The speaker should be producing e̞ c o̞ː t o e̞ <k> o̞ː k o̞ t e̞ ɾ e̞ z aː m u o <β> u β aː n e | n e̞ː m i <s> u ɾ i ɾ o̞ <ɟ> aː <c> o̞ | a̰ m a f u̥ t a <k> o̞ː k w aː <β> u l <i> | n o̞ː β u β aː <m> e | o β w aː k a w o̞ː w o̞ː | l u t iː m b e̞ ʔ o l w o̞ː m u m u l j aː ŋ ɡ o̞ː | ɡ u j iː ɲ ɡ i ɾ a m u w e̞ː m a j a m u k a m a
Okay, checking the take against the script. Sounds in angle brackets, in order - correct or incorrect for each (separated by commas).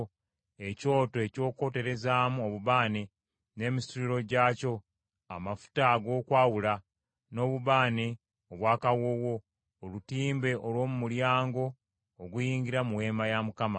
incorrect, correct, correct, correct, correct, incorrect, incorrect, incorrect, incorrect